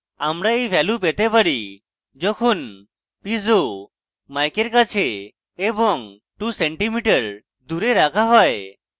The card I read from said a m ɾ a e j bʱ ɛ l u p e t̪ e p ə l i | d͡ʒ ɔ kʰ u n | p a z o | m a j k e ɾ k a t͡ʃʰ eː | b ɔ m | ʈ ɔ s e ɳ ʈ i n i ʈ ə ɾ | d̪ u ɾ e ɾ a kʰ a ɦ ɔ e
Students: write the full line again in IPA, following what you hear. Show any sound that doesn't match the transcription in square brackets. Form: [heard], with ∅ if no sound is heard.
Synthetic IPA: a m ɾ a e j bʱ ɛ l u p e t̪ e p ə [ɽ] i | d͡ʒ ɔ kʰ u n | p [i] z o | m a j k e ɾ k a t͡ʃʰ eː | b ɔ [ŋ] | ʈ [u] s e ɳ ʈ i [m] i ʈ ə ɾ | d̪ u ɾ e ɾ a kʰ a ɦ ɔ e